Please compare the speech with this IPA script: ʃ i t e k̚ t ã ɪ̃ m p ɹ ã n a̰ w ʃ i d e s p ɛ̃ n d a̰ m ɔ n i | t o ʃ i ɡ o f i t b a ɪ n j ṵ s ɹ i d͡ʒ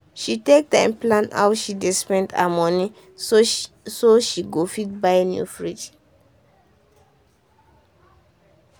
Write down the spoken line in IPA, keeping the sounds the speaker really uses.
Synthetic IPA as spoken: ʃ i t e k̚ t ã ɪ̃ m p l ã n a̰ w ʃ i d e s p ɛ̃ n d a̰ m ɔ n i | s o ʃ i ɡ o f i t b a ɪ n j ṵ f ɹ i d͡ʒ

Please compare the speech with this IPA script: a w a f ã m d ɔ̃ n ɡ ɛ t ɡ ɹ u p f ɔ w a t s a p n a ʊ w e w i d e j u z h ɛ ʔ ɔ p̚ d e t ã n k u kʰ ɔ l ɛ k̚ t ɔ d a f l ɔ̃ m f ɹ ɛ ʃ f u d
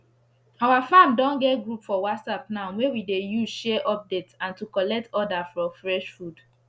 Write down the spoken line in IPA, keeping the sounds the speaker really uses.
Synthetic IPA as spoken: a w a f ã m d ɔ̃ n ɡ ɛ t ɡ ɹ u p f ɔ w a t s a p n a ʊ w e w i d e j u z ʃ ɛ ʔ ɔ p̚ d e t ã n t u k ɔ l ɛ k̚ t ɔ d a f ɹ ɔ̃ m f ɹ ɛ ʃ f u d

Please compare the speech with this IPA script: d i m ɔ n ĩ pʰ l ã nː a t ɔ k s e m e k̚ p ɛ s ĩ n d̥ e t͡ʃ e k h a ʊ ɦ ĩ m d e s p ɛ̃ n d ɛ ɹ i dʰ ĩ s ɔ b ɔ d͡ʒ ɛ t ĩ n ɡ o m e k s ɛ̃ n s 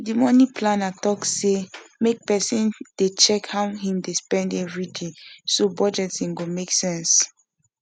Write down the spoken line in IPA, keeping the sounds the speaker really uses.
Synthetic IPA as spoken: d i m ɔ n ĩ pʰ l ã n a t ɔ k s e m e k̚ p ɛ s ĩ n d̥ e t͡ʃ ɛ k h a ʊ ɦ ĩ m d e s p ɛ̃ n d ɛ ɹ i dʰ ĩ s o b ɔ d͡ʒ ɛ t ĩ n ɡ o m e k s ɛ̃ n s

